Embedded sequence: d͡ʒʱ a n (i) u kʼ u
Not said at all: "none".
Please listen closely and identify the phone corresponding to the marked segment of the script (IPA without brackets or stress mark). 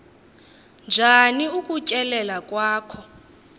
i